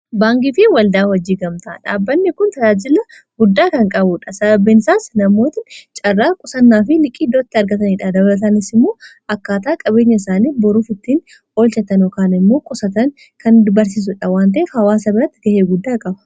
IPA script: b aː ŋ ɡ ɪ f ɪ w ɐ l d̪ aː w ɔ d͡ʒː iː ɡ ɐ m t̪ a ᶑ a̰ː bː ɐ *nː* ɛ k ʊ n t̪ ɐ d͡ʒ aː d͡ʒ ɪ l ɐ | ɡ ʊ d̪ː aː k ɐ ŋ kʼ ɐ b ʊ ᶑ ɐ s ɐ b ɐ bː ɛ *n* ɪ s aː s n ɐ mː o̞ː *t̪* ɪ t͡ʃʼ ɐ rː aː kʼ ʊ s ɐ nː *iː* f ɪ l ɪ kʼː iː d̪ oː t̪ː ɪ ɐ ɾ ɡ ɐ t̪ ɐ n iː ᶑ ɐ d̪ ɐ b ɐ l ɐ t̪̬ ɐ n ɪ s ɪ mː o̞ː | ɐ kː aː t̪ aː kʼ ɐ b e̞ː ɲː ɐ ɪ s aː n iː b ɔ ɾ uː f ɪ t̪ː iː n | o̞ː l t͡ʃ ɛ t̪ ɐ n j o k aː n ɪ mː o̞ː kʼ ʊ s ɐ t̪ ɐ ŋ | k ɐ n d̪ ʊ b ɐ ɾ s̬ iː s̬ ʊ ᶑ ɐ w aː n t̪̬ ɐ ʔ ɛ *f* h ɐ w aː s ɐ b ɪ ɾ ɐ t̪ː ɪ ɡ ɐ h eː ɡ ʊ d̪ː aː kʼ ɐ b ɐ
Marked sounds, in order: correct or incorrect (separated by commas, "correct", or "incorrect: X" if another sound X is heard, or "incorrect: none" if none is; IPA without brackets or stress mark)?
correct, correct, correct, incorrect: aː, correct